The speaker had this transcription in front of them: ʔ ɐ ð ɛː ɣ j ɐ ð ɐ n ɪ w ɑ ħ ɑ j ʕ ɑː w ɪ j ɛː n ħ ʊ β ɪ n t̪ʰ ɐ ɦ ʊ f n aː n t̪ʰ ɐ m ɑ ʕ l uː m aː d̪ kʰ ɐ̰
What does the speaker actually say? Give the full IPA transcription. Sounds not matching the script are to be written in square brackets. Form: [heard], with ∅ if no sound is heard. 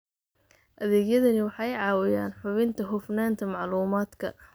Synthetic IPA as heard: ʔ ɐ ð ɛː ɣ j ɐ ð ɐ n ɪ w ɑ ħ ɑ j ʕ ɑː w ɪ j [aː] n ħ ʊ β ɪ n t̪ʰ ɐ ɦ ʊ f n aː n t̪ʰ ɐ m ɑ ʕ l uː m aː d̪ kʰ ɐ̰